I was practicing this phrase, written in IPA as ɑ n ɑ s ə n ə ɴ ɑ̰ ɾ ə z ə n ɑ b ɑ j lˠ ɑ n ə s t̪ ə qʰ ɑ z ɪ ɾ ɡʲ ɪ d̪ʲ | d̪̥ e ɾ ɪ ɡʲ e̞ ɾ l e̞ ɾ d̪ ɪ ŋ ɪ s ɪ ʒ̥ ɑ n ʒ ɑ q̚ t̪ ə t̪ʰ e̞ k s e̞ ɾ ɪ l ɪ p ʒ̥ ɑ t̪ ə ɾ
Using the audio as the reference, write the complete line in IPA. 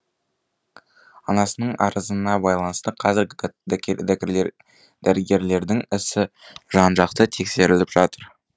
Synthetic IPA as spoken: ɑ n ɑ s ə n ə ɴ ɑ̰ ɾ ə z ə n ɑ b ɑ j lˠ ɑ n ə s t̪ ə qʰ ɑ z ɪ ɾ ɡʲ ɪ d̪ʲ | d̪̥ æ ɾ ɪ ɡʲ e̞ ɾ l e̞ ɾ d̪ ɪ ŋ ɪ s ɪ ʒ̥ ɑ n ʒ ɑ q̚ t̪ ə t̪ʰ e̞ k s e̞ ɾ ɪ l ɪ p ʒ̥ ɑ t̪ ə ɾ